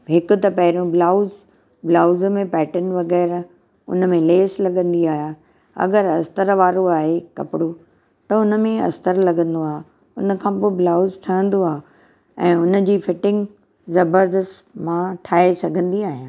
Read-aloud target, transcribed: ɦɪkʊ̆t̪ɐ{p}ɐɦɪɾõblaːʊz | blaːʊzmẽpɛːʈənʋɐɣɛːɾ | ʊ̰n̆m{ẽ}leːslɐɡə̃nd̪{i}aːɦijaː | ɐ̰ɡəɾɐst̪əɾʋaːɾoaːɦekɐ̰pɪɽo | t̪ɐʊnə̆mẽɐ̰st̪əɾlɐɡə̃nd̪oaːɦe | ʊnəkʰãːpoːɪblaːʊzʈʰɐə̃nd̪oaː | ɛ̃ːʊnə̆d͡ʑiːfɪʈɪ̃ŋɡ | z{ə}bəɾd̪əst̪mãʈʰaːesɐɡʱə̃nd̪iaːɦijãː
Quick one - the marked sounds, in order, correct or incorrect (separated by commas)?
correct, correct, correct, incorrect